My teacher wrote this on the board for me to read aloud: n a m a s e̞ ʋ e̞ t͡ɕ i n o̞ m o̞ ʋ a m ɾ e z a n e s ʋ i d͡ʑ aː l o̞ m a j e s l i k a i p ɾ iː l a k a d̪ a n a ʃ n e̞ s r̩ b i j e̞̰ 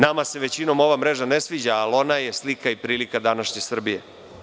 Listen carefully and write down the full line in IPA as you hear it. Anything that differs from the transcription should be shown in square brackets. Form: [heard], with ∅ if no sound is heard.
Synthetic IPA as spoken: n a m a s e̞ ʋ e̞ t͡ɕ i n o̞ m o̞ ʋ a m ɾ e [ʒ] a n e s ʋ i d͡ʑ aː l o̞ [n] a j e s l i k a i p ɾ iː l [i] k a d̪ a n a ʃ [ɲ] e̞ s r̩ b i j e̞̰